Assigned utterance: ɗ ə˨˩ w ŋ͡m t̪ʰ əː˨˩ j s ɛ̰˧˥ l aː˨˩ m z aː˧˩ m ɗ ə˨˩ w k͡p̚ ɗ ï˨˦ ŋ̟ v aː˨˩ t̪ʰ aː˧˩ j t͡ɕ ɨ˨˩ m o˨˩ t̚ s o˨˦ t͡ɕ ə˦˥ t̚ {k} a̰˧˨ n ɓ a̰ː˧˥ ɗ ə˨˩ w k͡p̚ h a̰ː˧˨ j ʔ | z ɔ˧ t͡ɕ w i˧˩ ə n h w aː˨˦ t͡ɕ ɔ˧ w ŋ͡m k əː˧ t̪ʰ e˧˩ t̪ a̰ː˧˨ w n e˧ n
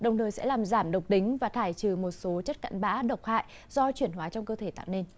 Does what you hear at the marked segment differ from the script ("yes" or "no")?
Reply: no